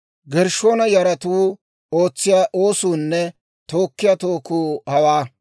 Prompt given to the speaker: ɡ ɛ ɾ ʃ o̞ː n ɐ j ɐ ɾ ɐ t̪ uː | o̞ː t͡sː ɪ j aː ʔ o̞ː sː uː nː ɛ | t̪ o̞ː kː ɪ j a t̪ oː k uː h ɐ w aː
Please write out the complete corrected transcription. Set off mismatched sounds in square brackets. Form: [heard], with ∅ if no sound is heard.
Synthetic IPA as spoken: ɡ ɛ ɾ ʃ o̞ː n ɐ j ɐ ɾ ɐ t̪ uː | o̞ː t͡sː ɪ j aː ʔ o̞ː [s] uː nː ɛ | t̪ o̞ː kː ɪ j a t̪ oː k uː h ɐ w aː

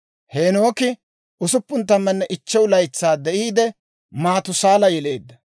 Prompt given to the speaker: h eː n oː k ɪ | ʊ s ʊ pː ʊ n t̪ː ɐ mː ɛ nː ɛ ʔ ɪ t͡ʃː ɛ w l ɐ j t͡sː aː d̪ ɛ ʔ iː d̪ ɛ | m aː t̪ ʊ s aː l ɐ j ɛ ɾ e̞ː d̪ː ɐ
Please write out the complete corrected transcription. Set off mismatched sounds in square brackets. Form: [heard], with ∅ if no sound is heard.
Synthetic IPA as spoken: h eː n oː k ɪ | ʊ s ʊ pː ʊ n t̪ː ɐ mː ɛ nː ɛ ʔ ɪ t͡ʃː ɛ w l ɐ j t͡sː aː d̪ ɛ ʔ iː d̪ ɛ | m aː t̪ ʊ s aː l ɐ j ɛ [l] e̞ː d̪ː ɐ

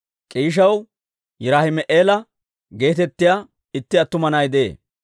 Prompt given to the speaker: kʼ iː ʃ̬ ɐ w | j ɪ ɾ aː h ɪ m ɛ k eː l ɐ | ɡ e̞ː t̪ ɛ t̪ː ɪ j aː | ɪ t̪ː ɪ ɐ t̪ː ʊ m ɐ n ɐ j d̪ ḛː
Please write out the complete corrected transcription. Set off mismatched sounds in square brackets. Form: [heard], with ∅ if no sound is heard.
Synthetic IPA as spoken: kʼ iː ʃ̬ ɐ w | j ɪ ɾ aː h ɪ m ɛ [ʔ] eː l ɐ | ɡ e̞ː t̪ ɛ t̪ː ɪ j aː | ɪ t̪ː ɪ ɐ t̪ː ʊ m ɐ n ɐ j d̪ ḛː

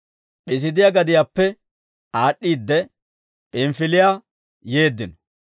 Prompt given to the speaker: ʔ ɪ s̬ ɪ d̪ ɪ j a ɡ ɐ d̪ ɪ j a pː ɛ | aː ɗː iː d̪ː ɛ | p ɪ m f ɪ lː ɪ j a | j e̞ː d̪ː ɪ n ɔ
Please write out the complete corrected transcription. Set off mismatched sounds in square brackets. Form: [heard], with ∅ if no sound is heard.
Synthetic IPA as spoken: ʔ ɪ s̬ ɪ d̪ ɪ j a ɡ ɐ d̪ ɪ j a pː ɛ | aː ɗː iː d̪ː ɛ | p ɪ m f ɪ [l] ɪ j a | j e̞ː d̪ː ɪ n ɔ

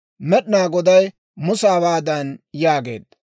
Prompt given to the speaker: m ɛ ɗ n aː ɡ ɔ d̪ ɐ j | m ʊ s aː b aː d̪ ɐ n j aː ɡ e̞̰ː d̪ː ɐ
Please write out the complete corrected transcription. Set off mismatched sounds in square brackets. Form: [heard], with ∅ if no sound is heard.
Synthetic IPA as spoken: m ɛ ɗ n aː ɡ ɔ d̪ ɐ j | m ʊ s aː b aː d̪ ɐ n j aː ɡ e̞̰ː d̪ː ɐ

